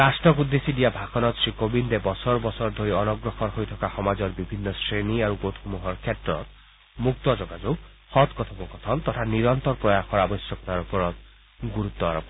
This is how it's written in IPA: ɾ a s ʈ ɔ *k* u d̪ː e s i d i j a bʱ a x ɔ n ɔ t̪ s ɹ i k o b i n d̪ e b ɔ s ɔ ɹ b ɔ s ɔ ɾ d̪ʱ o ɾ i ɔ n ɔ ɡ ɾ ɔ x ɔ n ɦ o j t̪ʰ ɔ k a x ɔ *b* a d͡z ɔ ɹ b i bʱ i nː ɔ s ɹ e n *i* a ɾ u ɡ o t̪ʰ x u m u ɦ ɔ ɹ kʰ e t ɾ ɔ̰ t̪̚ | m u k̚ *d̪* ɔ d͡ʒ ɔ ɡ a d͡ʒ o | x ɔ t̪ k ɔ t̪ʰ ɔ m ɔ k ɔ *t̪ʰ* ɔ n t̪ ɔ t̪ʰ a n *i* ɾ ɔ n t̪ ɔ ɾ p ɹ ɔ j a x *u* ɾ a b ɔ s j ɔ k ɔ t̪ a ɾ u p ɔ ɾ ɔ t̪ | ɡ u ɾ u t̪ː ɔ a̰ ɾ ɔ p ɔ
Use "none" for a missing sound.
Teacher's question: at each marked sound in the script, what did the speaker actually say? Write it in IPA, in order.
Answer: k, m, i, t̪, t̪ʰ, i, ɔ

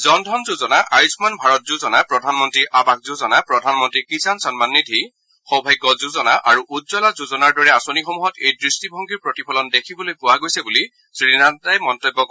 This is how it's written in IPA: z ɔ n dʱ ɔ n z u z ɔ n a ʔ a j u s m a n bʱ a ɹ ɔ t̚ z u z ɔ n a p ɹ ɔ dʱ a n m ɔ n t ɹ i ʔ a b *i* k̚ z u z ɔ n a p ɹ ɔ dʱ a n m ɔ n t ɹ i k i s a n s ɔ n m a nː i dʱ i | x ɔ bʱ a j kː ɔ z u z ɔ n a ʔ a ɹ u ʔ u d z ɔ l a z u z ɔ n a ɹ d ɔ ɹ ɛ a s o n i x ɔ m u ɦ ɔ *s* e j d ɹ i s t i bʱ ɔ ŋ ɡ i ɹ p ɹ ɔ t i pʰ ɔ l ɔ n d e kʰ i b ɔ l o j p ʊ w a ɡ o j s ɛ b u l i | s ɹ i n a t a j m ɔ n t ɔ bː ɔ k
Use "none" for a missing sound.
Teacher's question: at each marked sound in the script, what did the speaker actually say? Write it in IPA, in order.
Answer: a, t

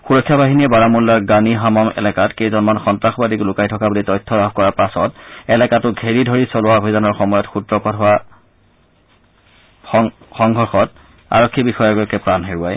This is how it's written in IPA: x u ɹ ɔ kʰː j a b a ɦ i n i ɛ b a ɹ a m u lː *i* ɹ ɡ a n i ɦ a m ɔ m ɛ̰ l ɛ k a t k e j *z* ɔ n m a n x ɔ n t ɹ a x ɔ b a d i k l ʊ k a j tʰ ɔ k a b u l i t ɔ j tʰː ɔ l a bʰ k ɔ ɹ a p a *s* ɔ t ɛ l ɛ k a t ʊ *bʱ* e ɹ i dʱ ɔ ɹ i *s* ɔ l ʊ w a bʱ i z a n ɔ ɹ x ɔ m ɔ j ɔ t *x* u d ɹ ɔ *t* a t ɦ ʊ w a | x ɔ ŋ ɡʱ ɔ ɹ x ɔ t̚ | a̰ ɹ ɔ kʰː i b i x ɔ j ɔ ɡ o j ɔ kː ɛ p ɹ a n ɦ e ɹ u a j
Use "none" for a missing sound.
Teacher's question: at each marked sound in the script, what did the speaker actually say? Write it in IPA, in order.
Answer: a, z, s, ɡʱ, s, x, p

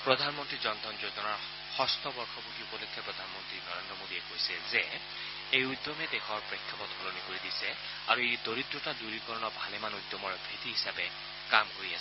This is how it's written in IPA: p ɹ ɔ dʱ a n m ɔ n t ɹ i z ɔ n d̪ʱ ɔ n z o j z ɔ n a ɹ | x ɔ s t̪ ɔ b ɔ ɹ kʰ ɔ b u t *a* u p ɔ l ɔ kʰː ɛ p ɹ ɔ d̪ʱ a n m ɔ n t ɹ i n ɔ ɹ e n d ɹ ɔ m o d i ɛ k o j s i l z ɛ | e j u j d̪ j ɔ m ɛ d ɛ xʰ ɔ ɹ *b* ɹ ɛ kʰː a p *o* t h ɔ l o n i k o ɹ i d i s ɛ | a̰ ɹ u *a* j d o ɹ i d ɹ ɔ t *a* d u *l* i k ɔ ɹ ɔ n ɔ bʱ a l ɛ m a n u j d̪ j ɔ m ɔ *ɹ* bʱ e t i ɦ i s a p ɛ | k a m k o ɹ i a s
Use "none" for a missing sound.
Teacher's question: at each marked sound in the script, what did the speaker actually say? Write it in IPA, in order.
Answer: i, p, ɔ, e, a, ɹ, ɹ

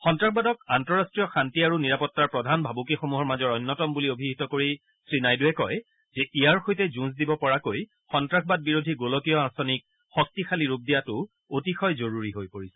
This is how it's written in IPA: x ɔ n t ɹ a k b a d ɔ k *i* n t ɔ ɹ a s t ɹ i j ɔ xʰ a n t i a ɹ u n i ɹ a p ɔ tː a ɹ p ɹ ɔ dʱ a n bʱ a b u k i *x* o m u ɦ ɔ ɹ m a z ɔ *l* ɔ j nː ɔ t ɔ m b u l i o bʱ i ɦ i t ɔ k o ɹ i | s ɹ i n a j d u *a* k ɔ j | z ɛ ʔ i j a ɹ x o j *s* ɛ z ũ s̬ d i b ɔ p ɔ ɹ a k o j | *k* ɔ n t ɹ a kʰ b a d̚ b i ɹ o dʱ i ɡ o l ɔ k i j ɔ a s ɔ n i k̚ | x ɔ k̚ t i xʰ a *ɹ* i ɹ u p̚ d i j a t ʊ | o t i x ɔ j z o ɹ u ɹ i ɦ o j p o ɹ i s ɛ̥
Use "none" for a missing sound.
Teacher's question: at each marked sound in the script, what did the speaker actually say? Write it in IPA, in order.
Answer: a, x, ɹ, ɛ, t, x, l

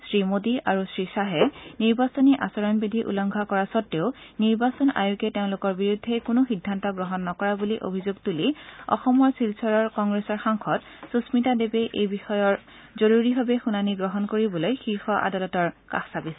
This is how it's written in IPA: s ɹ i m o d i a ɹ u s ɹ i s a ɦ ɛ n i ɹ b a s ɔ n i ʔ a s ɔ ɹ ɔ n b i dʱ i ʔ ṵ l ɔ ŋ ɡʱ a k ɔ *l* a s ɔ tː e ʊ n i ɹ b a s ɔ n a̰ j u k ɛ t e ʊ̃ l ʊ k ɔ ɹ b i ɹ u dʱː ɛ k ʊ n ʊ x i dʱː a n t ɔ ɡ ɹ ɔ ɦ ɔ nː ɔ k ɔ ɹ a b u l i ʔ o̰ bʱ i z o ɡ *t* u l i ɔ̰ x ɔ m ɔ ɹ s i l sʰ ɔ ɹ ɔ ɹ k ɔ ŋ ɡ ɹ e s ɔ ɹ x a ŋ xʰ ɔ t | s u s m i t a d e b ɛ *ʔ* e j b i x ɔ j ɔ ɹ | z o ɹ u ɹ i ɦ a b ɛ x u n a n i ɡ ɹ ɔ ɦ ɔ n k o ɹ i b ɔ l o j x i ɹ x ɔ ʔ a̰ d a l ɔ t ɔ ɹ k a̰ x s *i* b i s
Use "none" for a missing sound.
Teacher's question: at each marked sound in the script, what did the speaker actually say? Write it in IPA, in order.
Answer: ɹ, t, ʔ, a

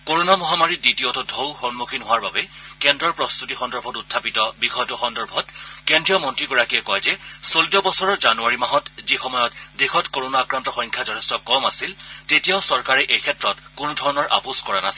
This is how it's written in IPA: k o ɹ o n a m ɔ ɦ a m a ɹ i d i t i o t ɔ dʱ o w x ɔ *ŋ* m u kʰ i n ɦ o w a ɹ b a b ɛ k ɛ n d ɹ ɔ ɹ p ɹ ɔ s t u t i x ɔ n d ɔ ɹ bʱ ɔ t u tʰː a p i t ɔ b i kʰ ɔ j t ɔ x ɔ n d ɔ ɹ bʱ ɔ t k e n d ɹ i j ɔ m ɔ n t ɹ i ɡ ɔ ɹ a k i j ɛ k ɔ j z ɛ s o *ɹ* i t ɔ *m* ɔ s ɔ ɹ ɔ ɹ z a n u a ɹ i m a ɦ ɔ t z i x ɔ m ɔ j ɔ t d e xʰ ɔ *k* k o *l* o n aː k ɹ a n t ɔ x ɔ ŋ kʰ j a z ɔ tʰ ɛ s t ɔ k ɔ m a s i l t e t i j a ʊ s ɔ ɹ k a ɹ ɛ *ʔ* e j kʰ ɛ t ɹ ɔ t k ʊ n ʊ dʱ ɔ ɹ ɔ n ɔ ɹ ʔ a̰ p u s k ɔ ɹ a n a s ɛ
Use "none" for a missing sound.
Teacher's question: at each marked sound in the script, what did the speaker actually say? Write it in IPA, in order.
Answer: n, l, b, t, ɹ, ʔ

